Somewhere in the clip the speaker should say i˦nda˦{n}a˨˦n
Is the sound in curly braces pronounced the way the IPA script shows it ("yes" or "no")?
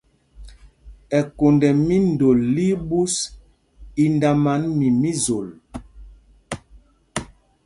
no